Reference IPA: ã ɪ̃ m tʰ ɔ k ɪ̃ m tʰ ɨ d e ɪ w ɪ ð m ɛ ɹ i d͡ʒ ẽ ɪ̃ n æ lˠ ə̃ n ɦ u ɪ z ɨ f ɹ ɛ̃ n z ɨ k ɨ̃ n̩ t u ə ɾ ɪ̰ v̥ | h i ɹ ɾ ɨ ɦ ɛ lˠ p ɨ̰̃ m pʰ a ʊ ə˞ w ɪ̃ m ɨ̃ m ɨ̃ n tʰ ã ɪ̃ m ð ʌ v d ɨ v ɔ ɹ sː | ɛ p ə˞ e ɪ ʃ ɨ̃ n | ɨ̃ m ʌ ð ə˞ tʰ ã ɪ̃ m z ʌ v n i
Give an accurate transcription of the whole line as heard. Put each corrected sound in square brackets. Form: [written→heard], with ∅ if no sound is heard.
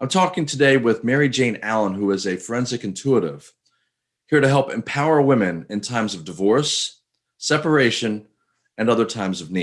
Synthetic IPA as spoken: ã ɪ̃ m tʰ ɔ k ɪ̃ [m→ŋ] tʰ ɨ d e ɪ w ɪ ð m ɛ ɹ i d͡ʒ ẽ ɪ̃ n æ lˠ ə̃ n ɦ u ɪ z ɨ f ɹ ɛ̃ n z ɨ k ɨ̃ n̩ [t→tʰ] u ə ɾ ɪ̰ v̥ | h i ɹ ɾ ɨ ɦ ɛ lˠ p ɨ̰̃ m pʰ a ʊ ə˞ w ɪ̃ m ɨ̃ [m→n] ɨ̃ n tʰ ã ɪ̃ m [ð→z] ʌ v d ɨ v ɔ ɹ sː | ɛ p ə˞ e ɪ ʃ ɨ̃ n | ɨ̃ [m→n] ʌ ð ə˞ tʰ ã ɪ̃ m z ʌ v n i

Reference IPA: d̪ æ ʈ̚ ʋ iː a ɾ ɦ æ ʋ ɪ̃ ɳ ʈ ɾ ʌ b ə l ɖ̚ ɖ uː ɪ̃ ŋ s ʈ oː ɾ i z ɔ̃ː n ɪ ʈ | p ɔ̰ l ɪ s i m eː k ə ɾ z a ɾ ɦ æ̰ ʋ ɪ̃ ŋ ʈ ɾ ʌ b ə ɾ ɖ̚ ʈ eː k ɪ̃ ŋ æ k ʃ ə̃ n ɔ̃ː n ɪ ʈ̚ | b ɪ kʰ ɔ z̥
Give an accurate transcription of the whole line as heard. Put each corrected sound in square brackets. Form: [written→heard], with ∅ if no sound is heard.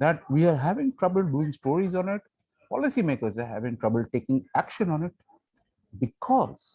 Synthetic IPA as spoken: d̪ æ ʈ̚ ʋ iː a ɾ ɦ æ ʋ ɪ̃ [ɳ→ŋ] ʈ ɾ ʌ b ə l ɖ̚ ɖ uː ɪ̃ ŋ s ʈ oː ɾ i z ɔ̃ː n ɪ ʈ | p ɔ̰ l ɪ s i m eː k ə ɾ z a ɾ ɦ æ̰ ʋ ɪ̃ ŋ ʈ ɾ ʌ b ə [ɾ→l] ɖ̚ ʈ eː k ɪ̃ ŋ æ k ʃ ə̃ n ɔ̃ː n ɪ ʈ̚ | b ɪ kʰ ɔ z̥

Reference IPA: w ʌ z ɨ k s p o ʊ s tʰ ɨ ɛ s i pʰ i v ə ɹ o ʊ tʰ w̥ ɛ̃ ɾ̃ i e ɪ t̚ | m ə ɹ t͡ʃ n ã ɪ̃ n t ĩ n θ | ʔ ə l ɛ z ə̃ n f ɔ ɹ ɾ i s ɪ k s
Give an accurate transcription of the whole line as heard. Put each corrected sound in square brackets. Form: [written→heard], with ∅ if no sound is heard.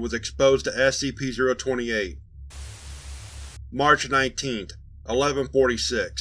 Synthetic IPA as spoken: w ʌ z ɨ k s p o ʊ [s→z] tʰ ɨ ɛ s i pʰ i [v→z] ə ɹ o ʊ tʰ w̥ ɛ̃ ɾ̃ i e ɪ t̚ | m [ə→ɑ] ɹ t͡ʃ n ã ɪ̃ n [t→tʰ] ĩ n θ | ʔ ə l ɛ [z→v] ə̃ n f ɔ ɹ ɾ i s ɪ k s

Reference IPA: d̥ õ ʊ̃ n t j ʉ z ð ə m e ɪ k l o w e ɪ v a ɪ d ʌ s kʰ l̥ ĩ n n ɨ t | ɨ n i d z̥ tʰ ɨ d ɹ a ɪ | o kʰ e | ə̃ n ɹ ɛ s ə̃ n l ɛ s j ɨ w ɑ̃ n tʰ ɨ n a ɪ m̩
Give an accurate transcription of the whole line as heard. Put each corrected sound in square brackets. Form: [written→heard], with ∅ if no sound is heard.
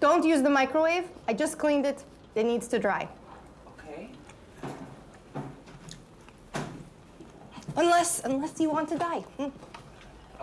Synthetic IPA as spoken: d̥ õ ʊ̃ n t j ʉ z ð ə m [e→a] ɪ k [l→ɹ] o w e ɪ v a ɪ [d→d͡ʒ] ʌ s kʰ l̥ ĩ n [n→d] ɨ t | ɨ n i d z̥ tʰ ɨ d ɹ a ɪ | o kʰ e | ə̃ n [ɹ→l] ɛ s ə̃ n l ɛ s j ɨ w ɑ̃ n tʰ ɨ [n→d] a ɪ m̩

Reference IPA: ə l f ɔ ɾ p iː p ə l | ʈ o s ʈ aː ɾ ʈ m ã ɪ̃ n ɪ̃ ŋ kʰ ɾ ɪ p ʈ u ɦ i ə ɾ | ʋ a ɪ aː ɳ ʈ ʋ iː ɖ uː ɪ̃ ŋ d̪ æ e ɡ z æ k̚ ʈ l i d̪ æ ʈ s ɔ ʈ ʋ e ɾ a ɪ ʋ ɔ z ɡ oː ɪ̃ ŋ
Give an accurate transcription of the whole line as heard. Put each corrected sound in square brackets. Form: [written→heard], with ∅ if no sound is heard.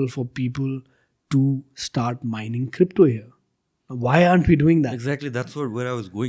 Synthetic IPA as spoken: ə l f ɔ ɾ p iː p ə l | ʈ [o→u] s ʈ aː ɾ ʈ m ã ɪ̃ n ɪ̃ ŋ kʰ ɾ ɪ p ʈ [u→o] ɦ i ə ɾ | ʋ a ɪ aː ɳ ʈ ʋ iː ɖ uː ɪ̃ ŋ d̪ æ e ɡ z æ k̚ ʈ l i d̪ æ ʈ s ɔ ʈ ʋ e ɾ a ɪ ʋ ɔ z ɡ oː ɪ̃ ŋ

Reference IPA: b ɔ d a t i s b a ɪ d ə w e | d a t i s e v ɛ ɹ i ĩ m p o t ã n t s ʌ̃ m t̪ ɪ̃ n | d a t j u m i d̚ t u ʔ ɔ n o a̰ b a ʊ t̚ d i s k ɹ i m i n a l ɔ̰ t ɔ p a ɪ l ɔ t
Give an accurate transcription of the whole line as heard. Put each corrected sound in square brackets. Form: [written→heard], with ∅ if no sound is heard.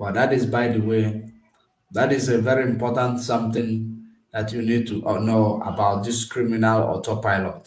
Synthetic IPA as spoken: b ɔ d a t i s b a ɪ d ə w e | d a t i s e v ɛ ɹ i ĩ m p [o→ɔ] t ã n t s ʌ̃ m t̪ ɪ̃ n | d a t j u [m→n] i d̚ t u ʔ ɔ n o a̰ b a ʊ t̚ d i s k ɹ i m i n a l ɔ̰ t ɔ p a ɪ l ɔ t

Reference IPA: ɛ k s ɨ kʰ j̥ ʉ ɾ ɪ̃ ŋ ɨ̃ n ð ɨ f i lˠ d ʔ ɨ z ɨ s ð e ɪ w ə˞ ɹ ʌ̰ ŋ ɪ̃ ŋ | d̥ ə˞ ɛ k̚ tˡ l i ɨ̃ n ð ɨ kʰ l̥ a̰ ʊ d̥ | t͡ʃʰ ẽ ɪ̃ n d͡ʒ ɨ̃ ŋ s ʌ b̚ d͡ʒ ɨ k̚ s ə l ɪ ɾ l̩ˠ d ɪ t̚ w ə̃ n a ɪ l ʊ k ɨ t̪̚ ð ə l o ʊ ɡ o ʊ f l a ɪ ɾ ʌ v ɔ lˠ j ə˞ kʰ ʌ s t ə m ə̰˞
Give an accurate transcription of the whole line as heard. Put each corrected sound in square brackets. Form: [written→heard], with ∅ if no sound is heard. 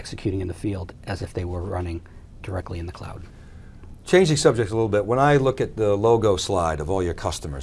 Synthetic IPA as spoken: ɛ k s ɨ kʰ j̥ ʉ ɾ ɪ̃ ŋ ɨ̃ n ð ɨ f i lˠ d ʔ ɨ z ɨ [s→f] ð e ɪ w ə˞ ɹ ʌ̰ [ŋ→n] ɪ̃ ŋ | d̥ ə˞ ɛ k̚ tˡ l i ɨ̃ n ð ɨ kʰ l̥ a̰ ʊ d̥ | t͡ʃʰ ẽ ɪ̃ n d͡ʒ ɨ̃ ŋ s ʌ b̚ d͡ʒ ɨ k̚ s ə l ɪ ɾ l̩ˠ [d→b] ɪ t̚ w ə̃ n a ɪ l ʊ k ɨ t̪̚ ð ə l o ʊ ɡ o ʊ [f→s] l a ɪ ɾ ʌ v ɔ lˠ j ə˞ kʰ ʌ s t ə m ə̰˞

